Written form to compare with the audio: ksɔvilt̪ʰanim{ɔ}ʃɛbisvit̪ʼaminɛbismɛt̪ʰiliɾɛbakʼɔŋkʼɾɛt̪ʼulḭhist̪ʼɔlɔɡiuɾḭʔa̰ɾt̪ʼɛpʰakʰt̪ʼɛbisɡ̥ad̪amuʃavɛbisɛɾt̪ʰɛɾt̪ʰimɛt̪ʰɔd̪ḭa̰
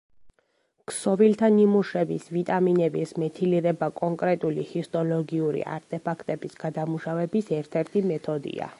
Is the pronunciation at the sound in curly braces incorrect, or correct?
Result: incorrect